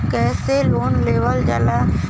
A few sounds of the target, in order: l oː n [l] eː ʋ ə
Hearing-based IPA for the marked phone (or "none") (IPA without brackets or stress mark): l